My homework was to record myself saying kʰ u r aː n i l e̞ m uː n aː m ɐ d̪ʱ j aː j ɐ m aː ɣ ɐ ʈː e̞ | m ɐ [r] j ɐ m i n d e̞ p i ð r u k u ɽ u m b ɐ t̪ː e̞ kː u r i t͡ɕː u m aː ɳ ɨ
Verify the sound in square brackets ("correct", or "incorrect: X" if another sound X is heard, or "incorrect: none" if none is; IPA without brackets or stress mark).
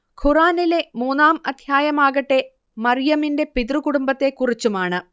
correct